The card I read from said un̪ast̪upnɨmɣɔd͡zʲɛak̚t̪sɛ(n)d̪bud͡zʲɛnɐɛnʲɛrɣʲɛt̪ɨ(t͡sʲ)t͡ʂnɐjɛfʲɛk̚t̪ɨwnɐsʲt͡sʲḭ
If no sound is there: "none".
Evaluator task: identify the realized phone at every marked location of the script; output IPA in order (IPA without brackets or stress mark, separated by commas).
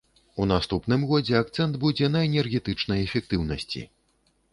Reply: n, none